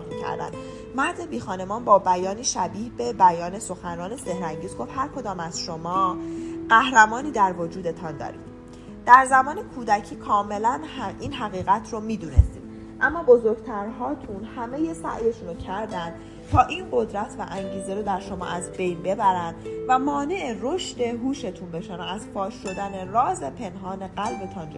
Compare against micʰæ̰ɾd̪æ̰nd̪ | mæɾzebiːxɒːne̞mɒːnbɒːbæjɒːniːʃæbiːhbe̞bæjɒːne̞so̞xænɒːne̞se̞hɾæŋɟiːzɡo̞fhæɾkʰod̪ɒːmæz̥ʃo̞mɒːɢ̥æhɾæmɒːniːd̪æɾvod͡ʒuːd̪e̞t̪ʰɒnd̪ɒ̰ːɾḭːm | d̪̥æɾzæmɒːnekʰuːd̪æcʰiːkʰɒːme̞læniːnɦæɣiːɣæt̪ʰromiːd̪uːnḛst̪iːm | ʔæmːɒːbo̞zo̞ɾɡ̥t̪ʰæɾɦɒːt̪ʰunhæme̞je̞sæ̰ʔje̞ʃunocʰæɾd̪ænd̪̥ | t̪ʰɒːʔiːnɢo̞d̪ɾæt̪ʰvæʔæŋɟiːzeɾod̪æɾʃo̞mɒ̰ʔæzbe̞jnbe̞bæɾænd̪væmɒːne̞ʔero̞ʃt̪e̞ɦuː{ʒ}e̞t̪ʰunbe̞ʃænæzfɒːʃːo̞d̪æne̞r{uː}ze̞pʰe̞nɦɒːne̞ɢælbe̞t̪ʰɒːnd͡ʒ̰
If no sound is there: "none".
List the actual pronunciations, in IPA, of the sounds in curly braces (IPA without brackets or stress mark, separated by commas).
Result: ʃ, ɒː